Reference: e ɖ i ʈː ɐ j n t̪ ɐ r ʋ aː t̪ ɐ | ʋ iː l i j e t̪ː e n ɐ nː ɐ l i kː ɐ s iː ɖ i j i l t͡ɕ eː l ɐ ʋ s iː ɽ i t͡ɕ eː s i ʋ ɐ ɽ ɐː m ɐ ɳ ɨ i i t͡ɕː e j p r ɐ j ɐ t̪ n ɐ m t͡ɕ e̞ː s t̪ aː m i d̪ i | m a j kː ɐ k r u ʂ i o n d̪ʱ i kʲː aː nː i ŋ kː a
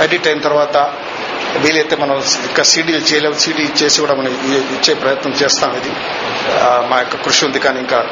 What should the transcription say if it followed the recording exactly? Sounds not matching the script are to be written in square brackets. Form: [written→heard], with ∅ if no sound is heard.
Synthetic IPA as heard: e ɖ i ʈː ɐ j n t̪ ɐ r ʋ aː t̪ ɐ | ʋ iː l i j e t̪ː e [n→m] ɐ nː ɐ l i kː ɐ s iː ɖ i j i l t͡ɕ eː l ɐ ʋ s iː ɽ i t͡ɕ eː s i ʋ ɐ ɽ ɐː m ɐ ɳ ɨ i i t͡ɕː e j p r ɐ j ɐ t̪ n ɐ m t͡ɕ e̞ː s t̪ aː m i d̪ i | m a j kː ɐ k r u ʂ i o n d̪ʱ i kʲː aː [nː→n] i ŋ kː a